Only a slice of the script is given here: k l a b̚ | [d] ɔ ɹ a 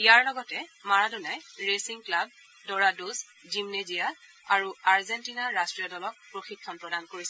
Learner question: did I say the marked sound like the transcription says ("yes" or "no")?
yes